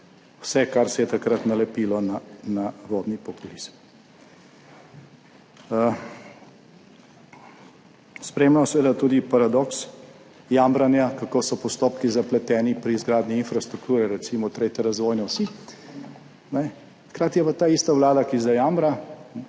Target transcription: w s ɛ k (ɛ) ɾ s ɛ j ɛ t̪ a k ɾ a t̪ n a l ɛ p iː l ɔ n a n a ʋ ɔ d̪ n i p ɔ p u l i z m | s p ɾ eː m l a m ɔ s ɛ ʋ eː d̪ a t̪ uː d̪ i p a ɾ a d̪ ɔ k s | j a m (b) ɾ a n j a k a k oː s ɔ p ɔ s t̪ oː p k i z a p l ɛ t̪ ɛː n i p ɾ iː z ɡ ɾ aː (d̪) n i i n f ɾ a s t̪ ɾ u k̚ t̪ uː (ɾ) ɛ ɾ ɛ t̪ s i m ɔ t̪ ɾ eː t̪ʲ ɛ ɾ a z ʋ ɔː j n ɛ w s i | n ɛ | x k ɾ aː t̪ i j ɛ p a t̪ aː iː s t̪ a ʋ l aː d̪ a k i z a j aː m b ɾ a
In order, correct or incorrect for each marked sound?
incorrect: a, correct, correct, correct

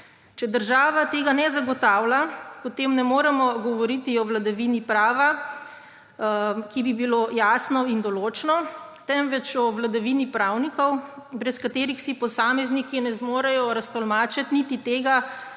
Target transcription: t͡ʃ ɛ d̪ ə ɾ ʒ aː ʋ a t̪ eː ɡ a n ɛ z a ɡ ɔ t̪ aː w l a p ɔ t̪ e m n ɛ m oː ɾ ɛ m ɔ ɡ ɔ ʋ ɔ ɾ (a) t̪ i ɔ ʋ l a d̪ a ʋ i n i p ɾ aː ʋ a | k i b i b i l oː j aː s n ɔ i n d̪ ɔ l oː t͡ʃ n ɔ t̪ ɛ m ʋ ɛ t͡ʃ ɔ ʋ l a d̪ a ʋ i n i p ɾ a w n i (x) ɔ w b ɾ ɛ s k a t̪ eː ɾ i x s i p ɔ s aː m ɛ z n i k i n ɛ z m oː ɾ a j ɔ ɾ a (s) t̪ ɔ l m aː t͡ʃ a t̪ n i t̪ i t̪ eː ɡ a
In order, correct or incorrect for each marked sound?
incorrect: i, incorrect: k, correct

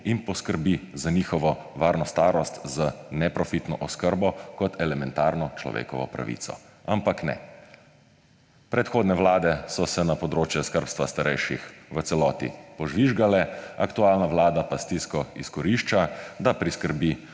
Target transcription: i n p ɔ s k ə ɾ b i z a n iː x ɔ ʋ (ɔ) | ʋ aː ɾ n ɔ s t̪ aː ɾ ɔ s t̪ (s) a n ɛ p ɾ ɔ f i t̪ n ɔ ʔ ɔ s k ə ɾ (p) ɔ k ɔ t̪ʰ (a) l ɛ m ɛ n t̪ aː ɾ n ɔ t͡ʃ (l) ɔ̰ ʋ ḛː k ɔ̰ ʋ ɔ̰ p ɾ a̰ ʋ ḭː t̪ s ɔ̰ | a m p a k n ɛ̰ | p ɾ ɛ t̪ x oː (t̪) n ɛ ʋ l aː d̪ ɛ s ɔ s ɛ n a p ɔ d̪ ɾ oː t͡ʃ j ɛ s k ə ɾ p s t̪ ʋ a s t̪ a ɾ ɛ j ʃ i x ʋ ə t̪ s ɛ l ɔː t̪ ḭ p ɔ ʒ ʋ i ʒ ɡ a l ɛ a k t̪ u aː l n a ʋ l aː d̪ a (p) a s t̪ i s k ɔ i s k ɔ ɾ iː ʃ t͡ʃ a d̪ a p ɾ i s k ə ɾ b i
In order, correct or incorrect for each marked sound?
correct, incorrect: z, incorrect: b, incorrect: ɛ, correct, incorrect: d̪, correct

